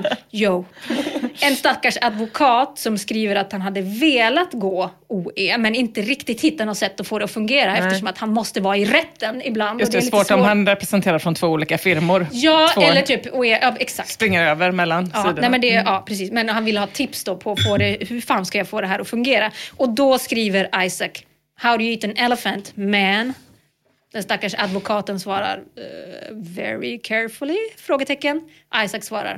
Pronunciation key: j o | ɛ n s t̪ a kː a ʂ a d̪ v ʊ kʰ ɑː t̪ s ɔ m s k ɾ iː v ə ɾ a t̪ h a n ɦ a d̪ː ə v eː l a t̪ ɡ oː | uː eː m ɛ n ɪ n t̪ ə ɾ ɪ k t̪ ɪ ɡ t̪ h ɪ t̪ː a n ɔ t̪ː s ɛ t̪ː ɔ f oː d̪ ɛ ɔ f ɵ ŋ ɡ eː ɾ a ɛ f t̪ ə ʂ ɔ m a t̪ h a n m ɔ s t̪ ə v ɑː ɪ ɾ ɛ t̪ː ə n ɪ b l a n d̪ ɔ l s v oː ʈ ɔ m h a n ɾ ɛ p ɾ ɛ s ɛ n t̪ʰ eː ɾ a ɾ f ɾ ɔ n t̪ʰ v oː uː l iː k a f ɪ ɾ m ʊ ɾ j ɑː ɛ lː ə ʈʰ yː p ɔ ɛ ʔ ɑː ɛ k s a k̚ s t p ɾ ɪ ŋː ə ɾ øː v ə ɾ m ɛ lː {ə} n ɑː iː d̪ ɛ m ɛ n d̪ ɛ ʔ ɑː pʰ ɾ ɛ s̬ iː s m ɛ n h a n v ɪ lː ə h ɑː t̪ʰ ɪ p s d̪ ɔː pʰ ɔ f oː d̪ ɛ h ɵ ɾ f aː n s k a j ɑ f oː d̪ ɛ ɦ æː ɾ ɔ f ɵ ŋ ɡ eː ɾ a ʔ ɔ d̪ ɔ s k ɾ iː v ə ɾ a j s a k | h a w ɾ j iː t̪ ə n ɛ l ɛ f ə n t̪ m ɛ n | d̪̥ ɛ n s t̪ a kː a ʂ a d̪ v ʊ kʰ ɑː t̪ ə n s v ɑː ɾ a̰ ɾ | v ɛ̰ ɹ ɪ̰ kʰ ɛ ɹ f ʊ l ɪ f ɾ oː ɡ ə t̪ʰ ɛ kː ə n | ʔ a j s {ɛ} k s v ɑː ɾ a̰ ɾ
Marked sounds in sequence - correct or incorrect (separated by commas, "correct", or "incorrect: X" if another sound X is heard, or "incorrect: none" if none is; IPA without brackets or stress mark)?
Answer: incorrect: a, incorrect: a